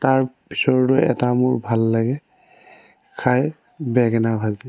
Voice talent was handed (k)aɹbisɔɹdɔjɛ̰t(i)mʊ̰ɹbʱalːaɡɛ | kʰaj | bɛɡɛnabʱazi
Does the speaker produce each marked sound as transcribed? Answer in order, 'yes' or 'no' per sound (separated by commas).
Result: no, no